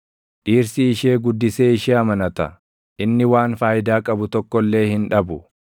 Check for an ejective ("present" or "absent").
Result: present